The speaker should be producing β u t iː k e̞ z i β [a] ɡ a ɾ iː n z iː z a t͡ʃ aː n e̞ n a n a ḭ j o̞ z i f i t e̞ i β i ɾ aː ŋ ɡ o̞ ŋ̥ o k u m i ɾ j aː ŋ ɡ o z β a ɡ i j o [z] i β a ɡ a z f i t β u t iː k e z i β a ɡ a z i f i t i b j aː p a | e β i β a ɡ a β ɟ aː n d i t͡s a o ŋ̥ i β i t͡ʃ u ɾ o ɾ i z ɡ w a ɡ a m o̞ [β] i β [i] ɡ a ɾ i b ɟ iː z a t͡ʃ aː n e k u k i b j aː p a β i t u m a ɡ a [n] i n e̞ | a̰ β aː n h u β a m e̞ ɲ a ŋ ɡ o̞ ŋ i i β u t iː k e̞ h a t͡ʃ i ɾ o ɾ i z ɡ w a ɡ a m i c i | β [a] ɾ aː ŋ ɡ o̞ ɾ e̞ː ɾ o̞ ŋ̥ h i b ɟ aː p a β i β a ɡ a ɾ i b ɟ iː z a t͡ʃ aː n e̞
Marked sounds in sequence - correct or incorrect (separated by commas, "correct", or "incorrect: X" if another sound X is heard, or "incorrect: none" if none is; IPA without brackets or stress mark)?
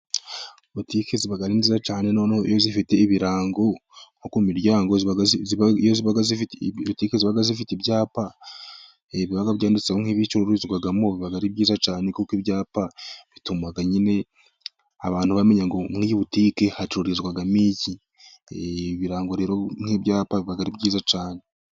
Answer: correct, correct, correct, incorrect: a, incorrect: ɲ, incorrect: i